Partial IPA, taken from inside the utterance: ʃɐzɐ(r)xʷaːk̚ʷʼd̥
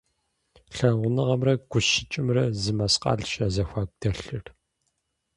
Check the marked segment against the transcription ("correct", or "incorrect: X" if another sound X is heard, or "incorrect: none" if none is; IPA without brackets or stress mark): incorrect: none